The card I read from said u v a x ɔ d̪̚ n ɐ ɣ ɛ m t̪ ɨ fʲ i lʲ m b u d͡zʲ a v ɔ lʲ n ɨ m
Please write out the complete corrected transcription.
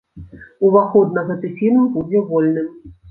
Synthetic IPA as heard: u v a x ɔ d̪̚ n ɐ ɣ ɛ t̪ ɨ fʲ i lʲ m b u d͡zʲ ɛ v ɔ lʲ n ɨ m